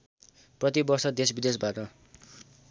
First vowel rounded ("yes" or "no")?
no